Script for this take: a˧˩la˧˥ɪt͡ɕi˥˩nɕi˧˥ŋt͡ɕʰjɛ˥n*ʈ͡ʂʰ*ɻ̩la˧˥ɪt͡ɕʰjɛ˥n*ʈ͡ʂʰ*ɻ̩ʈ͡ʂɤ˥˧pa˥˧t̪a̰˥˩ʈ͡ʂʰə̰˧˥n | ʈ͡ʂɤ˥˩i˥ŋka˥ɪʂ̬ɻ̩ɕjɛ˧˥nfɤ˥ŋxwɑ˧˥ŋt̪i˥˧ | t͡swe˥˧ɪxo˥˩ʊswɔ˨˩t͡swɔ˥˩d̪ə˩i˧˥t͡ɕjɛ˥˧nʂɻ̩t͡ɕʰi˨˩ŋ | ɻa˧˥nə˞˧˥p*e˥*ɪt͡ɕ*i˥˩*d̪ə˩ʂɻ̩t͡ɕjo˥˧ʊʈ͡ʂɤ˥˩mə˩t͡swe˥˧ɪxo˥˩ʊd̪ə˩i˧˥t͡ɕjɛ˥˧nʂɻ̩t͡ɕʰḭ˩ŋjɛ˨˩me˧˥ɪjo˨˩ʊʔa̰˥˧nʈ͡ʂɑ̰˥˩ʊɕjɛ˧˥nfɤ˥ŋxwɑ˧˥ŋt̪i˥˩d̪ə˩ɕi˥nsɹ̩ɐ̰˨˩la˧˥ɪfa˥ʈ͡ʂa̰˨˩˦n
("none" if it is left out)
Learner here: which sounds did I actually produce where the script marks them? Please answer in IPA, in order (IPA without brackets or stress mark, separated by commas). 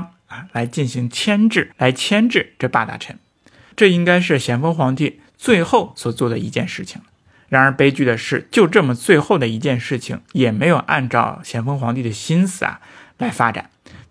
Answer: ʈ͡ʂ, ʈ͡ʂ, e˥, y˥˩